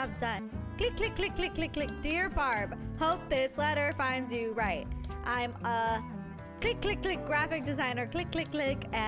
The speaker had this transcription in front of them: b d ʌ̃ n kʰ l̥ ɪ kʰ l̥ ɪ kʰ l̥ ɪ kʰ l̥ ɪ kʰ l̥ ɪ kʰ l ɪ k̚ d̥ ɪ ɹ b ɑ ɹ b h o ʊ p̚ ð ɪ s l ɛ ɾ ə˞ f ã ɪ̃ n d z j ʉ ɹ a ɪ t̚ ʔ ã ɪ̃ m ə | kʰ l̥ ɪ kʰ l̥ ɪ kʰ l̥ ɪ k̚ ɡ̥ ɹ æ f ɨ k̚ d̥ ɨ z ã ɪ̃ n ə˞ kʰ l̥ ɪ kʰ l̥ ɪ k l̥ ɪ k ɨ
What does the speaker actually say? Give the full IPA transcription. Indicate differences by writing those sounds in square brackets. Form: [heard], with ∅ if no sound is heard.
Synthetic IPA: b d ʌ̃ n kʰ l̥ ɪ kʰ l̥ ɪ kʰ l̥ ɪ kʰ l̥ ɪ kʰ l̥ ɪ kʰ l ɪ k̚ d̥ ɪ ɹ b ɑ ɹ b h o ʊ p̚ ð ɪ s l ɛ ɾ ə˞ f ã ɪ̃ n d z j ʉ ɹ a ɪ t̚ ʔ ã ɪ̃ m ə | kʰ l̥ ɪ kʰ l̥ ɪ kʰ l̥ ɪ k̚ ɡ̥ ɹ æ f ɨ k̚ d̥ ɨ z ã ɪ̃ n ə˞ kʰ l̥ ɪ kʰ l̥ ɪ k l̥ ɪ k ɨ